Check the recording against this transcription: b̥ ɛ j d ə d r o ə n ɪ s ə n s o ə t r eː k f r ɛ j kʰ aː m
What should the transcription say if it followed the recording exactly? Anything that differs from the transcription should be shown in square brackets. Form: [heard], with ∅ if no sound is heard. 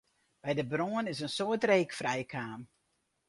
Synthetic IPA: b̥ ɛ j d ə [b] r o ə n ɪ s ə n s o ə t r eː k f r ɛ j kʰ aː m